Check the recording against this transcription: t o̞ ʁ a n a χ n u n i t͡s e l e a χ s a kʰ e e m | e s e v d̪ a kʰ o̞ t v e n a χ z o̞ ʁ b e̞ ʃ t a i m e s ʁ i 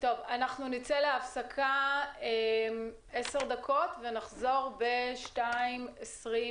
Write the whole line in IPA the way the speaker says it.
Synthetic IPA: t o̞ v a n a χ n u n i t͡s e l e a f s a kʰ a e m | e s e ʁ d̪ a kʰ o̞ t v e n a χ z o̞ ʁ b e̞ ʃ t a i m e s ʁ i